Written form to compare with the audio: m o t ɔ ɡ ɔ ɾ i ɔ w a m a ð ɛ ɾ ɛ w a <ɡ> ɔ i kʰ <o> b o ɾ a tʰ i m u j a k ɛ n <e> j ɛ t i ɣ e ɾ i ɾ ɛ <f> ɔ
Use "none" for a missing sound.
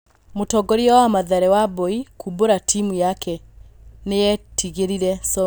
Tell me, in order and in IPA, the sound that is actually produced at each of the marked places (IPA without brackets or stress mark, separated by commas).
b, u, e, s